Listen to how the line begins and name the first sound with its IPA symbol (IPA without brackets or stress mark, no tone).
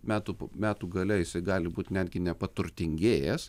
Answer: mʲ